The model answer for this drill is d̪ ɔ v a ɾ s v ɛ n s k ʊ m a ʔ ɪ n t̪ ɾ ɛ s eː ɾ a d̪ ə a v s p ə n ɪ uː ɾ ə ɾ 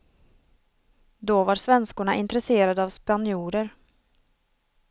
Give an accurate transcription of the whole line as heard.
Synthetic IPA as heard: d̪ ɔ v a ɾ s v ɛ n s k ʊ ɳ a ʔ ɪ n t̪ ɾ ɛ s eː ɾ a d̪ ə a v s p a n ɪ uː ɾ ə ɾ

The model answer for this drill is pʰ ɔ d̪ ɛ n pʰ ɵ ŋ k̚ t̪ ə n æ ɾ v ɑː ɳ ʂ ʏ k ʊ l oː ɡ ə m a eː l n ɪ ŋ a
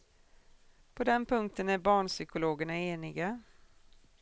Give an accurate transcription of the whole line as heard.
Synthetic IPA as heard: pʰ ɔ d̪ ɛ n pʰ ɵ ŋ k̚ t̪ ə n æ ɾ b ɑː ɳ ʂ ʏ k ʊ l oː ɡ ə ɳ a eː n ɪ ɡ a

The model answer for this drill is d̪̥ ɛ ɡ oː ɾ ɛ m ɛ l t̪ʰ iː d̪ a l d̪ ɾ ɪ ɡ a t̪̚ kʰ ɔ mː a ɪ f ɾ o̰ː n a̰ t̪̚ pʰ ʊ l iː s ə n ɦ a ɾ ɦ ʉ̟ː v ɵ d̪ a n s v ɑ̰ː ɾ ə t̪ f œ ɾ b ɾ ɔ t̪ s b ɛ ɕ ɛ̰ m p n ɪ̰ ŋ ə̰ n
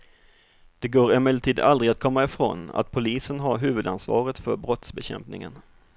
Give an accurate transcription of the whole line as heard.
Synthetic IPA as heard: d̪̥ ɛ ɡ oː ɾ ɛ m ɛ l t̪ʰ iː d̪ a l d̪ ɾ ɪ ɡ a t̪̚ kʰ ɔ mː a ɪ f ɾ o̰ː n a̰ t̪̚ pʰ ʊ l iː s ə n ɦ a ɾ ɦ ʉ̟ː v ɵ d̪ a n s v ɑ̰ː ɾ ə t̪ f œ ɾ b ɾ ɔ t̪ s b ɛ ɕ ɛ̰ m p n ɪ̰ ŋ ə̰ n

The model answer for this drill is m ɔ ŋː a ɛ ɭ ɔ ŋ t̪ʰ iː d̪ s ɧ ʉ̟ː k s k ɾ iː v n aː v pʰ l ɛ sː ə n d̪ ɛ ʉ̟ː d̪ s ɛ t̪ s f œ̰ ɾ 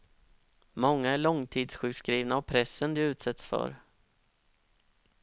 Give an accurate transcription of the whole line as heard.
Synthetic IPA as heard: m ɔ ŋː a æ ɭ ɔ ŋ t̪ʰ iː d̪ s ɧ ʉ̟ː k s k ɾ iː v n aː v pʰ ɾ ɛ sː ə n d̪ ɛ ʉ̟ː t̪ s ɛ t̪ s f œ̰ ɾ

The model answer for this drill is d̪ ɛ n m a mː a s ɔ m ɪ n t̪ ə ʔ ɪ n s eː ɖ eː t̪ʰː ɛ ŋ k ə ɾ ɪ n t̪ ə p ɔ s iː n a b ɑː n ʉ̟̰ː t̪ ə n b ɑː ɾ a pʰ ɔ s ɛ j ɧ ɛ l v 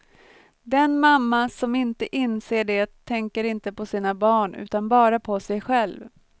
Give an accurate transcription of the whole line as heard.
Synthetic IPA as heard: d̪ ɛ n m a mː a s ɔ m ɪ n t̪ ə ʔ ɪ n s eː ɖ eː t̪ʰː ɛ ŋ k ə ɾ ɪ n t̪ ə p ɔ s iː n a b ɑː ɳ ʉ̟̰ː t̪ a n b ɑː ɾ a pʰ ɔ s ɛ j ɧ ɛ l v

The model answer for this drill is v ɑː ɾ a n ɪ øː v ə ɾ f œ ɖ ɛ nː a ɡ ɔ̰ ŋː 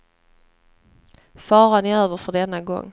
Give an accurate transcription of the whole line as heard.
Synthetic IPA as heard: f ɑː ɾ a n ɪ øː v ə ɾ f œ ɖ ɛ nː a ɡ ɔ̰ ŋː

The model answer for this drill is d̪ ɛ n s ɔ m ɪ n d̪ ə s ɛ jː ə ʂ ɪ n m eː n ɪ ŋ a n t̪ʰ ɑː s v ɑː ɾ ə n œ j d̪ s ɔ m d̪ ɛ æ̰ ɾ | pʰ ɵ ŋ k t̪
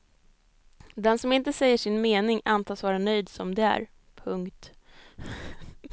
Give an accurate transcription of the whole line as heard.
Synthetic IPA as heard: d̪ ɛ n s ɔ m ɪ n t̪ ə s ɛ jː ə ʂ ɪ n m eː n ɪ ŋ a n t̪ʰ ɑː s v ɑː ɾ a n œ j d̪ s ɔ m d̪ ɛ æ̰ ɾ | pʰ ɵ ŋ k t̪

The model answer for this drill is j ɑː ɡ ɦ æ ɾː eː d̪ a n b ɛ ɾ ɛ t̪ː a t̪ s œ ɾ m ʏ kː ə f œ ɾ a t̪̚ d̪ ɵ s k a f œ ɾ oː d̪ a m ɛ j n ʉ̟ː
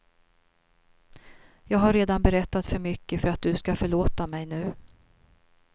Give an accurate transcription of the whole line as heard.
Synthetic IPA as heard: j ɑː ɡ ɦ a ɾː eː d̪ a n b ɛ ɾ ɛ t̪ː a t̪ f œ ɾ m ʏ kː ə f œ ɾ a t̪̚ d̪ ɵ s k a f œ ɭ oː t̪ a m ɛ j n ʉ̟ː

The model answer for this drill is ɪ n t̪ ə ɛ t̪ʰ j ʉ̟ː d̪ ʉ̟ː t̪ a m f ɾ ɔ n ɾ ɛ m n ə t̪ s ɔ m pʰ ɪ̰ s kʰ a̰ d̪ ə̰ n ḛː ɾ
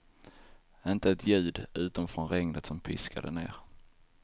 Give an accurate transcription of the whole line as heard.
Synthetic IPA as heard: ɪ n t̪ ə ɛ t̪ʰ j ʉ̟ː d̪ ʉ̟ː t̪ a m f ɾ ɔ n ɾ ɛ ŋ n ə t̪ s ɔ m pʰ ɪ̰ s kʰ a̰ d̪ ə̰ n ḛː ɾ

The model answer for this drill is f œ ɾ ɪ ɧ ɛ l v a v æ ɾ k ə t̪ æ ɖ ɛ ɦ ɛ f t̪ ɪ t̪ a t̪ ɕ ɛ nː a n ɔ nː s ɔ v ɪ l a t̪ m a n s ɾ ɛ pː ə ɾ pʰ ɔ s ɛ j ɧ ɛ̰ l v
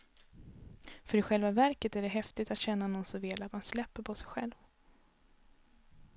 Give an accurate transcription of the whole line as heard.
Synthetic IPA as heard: f œ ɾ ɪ ɧ ɛ l v a v æ ɾ k ə t̪ æ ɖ ɛ ɦ ɛ f t̪ ɪ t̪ a t̪ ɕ ɛ nː a n ɔ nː s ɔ v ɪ l a t̪ m a n s l ɛ pː ə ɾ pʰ ɔ s ɛ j ɧ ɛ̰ l v

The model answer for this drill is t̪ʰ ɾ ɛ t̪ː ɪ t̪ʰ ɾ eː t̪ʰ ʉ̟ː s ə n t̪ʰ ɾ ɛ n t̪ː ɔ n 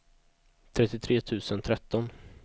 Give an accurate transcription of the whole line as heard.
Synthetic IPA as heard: t̪ʰ ɾ ɛ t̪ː ɪ t̪ʰ ɾ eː t̪ʰ ʉ̟ː s ə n t̪ʰ ɾ ɛ t̪ː ɔ n

